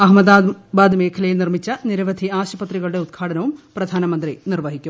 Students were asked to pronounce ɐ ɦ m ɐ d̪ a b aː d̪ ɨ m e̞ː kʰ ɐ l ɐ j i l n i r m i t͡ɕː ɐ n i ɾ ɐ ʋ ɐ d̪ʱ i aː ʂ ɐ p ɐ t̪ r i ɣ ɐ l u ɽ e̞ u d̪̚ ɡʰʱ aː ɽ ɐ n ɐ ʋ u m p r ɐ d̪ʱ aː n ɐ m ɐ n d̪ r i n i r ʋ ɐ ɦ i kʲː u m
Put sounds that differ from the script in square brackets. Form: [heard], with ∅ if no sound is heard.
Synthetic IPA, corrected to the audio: ɐ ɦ m ɐ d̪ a b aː d̪ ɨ m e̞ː kʰ ɐ l ɐ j i l n i r m i t͡ɕː ɐ n i ɾ ɐ ʋ ɐ d̪ʱ i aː [ɕ] ɐ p ɐ t̪ r i ɣ ɐ [ɭ] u ɽ e̞ u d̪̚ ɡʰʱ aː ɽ ɐ n ɐ ʋ u m p r ɐ d̪ʱ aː n ɐ m ɐ n d̪ r i n i r ʋ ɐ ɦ i kʲː u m